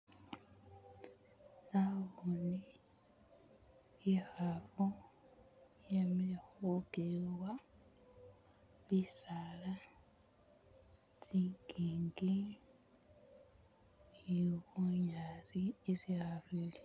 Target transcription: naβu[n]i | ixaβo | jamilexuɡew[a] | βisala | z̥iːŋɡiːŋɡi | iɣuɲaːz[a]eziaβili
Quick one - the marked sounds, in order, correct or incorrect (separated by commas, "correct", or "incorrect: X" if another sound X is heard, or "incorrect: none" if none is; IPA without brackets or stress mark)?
correct, correct, incorrect: i